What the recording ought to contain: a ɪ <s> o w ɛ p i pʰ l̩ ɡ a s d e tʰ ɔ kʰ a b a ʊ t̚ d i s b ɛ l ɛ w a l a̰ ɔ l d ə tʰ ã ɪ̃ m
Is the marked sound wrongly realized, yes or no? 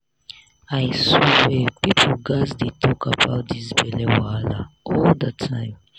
no